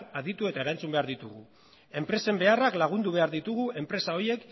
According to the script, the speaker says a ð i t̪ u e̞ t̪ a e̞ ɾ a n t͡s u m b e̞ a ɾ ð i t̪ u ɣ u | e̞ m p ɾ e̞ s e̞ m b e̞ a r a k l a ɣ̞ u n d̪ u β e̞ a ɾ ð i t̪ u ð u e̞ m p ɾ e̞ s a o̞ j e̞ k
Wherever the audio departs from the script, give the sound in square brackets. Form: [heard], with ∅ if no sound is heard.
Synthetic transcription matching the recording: a ð i t̪ u e̞ t̪ a e̞ ɾ a n t͡s u m b e̞ a ɾ ð i t̪ u ɣ u | e̞ m p ɾ e̞ s e̞ m b e̞ a r a k l a ɣ̞ u n d̪ u β e̞ a ɾ ð i t̪ u [ɣ] u e̞ m p ɾ e̞ s a o̞ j e̞ k